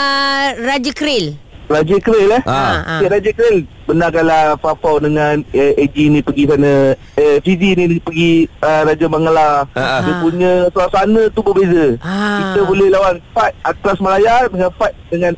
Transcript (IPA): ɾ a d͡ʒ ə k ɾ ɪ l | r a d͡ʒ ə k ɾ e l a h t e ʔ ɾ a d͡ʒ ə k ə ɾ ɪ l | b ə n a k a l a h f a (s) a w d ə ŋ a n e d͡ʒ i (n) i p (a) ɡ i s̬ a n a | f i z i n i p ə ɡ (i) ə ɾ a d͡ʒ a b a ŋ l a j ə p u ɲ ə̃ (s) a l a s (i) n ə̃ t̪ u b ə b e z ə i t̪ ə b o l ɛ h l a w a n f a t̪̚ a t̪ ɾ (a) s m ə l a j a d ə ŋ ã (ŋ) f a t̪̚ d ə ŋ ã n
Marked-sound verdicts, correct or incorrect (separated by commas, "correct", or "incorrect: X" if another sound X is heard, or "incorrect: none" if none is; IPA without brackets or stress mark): incorrect: f, correct, incorrect: ə, correct, correct, incorrect: a, correct, incorrect: n